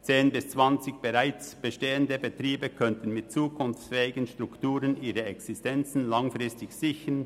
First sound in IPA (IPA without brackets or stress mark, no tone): t͡s